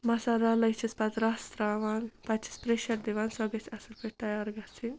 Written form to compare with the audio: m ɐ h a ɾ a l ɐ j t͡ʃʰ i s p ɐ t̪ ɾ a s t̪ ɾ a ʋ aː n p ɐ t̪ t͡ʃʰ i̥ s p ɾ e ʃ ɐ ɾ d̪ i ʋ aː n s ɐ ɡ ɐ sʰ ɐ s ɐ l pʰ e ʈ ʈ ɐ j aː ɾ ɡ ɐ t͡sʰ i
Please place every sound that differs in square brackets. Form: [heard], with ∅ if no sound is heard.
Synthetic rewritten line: m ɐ [s] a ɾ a l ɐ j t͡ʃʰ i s p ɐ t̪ ɾ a s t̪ ɾ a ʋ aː n p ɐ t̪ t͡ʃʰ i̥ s p ɾ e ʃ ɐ ɾ d̪ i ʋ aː n s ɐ ɡ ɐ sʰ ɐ s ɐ l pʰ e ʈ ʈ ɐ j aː ɾ ɡ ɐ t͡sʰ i